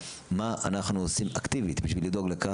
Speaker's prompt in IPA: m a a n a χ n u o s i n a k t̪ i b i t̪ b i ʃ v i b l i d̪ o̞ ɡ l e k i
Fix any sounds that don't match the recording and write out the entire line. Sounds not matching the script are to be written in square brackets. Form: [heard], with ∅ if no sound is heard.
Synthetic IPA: m a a n a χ n u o s i [m] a k t̪ i [v] i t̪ b i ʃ v i [∅] l i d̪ o̞ ɡ l e k [a]